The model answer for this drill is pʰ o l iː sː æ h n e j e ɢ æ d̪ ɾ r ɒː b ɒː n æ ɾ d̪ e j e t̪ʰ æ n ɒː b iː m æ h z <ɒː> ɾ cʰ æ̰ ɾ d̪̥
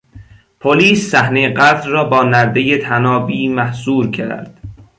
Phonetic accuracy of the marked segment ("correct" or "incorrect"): incorrect